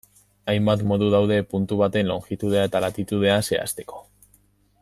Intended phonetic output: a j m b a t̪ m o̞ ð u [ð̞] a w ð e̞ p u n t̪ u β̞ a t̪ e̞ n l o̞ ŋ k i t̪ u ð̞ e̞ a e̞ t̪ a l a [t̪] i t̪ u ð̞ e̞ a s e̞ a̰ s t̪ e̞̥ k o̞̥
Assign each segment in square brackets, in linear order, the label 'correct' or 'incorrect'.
correct, correct

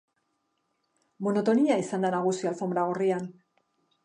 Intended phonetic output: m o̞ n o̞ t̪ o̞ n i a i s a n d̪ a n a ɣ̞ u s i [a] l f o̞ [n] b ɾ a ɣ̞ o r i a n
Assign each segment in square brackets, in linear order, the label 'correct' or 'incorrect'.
correct, incorrect

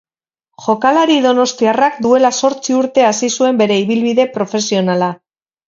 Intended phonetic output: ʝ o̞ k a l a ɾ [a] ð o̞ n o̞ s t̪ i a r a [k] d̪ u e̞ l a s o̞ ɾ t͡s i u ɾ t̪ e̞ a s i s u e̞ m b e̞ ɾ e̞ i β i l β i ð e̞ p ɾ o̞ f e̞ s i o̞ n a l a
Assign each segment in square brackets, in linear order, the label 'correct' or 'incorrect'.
incorrect, correct

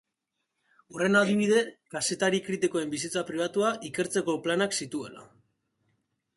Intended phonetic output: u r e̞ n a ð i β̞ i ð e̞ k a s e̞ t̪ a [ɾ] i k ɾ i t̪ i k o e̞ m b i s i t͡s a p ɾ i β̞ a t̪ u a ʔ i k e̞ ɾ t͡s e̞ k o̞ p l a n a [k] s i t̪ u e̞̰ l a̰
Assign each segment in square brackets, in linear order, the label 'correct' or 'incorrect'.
correct, correct

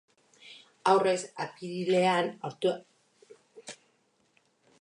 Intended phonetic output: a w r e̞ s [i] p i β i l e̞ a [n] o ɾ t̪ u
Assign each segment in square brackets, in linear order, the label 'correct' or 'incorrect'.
incorrect, correct

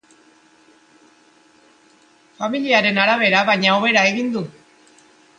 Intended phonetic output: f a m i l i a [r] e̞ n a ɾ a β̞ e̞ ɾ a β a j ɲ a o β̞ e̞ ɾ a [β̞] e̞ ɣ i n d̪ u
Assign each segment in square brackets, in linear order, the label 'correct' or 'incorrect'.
incorrect, incorrect

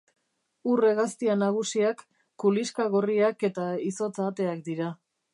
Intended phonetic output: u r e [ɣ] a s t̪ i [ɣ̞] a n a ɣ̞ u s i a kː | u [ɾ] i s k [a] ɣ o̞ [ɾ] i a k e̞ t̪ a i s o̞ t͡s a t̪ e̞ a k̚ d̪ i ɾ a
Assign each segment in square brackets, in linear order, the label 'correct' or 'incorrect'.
correct, incorrect, incorrect, correct, incorrect

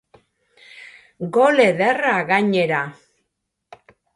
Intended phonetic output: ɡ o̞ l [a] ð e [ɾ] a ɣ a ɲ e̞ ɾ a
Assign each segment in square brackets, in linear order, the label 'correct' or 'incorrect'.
incorrect, incorrect

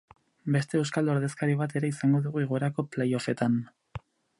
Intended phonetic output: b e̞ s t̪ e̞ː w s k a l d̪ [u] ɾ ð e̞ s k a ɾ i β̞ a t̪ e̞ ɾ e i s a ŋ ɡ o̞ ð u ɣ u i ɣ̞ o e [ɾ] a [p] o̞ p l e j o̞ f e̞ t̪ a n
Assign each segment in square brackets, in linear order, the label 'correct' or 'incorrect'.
incorrect, correct, incorrect

